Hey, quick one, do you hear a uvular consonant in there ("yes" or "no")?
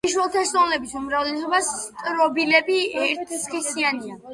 yes